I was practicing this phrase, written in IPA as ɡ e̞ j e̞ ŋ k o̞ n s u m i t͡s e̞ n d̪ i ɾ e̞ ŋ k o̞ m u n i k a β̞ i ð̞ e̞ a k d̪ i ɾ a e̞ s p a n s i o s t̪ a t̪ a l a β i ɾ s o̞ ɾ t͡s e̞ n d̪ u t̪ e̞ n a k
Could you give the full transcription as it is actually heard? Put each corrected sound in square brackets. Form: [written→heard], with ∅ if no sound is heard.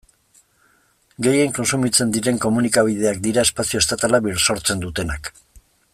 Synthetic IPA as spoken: ɡ e̞ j e̞ ŋ k o̞ n s u m i t͡s e̞ n d̪ i ɾ e̞ ŋ k o̞ m u n i k a β̞ i ð̞ e̞ a k d̪ i ɾ a e̞ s p a [n→∅] s i o s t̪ a t̪ a l a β i ɾ s o̞ ɾ t͡s e̞ n d̪ u t̪ e̞ n a k